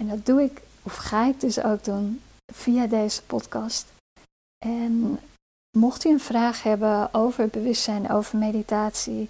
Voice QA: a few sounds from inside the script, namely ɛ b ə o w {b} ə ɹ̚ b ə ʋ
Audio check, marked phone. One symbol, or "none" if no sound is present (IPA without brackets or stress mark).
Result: v